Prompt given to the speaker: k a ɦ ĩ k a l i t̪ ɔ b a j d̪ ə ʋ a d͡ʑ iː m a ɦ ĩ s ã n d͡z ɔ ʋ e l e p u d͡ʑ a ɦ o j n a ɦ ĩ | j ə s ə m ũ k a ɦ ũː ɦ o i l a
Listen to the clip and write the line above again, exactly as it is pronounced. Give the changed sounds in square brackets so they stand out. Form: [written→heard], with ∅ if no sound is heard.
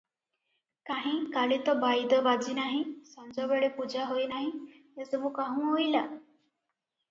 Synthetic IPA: k a ɦ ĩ k a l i t̪ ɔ b a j d̪ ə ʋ a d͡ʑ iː [m→n] a ɦ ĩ s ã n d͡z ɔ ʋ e [l→ɭ] e p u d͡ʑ a ɦ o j n a ɦ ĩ | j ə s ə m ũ k a ɦ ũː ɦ o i l a